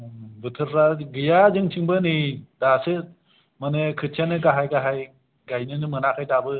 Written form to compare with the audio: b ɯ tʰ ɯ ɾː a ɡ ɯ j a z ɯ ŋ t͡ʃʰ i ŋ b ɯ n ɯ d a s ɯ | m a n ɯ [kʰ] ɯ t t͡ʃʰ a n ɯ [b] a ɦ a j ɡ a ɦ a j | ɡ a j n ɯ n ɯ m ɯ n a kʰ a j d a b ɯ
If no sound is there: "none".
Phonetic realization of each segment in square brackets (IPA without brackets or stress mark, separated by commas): kʰ, ɡ